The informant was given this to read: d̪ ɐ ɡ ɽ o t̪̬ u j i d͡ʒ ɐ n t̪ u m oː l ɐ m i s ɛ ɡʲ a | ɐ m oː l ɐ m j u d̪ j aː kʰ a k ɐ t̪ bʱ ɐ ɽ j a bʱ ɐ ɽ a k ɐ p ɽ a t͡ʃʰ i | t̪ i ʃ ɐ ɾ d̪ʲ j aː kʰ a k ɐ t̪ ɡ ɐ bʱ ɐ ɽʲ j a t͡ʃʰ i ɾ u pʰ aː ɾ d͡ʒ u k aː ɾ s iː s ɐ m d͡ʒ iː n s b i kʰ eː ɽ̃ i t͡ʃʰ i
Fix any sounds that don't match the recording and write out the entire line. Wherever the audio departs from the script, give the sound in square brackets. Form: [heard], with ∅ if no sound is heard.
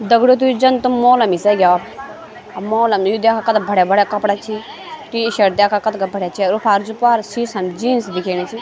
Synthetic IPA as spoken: d̪ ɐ ɡ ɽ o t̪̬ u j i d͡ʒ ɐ n t̪ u m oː l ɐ m i s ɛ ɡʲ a | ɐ m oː l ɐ m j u d̪ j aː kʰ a k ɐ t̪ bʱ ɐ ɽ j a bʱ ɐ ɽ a k ɐ p ɽ a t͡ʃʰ i | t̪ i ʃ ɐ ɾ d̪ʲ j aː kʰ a k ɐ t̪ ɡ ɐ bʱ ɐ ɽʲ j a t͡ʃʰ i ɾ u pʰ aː ɾ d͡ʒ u [p] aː ɾ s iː s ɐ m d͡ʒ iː n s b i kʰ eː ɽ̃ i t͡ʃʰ i